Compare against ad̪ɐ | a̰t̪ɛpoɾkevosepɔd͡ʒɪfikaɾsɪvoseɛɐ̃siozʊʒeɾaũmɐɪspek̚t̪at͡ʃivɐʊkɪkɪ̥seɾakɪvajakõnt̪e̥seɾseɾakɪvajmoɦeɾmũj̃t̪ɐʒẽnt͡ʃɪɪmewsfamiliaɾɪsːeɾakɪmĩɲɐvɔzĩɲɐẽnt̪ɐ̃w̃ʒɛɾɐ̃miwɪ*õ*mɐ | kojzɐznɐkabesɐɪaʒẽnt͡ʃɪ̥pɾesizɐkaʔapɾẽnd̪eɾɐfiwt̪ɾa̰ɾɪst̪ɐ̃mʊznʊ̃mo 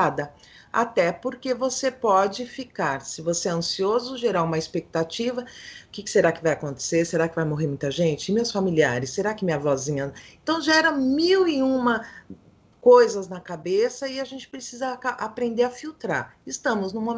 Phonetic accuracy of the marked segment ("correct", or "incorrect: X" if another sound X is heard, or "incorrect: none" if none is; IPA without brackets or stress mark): incorrect: ũ